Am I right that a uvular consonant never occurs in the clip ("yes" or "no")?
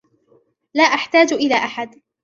yes